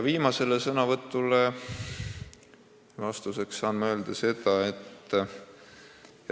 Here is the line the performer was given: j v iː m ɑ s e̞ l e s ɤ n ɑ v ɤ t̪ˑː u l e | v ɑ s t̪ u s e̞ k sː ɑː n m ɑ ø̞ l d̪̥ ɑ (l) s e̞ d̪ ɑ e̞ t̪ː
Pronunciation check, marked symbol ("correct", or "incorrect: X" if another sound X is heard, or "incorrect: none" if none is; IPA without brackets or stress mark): incorrect: none